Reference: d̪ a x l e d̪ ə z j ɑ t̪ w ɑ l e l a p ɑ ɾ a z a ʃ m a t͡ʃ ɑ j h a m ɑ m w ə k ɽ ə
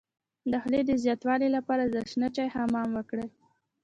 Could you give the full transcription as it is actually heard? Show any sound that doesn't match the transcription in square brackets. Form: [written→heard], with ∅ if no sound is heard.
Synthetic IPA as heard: d̪ a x l e d̪ ə z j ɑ t̪ w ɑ l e l a p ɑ ɾ a z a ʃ [m→n] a t͡ʃ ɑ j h a m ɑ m w ə k ɽ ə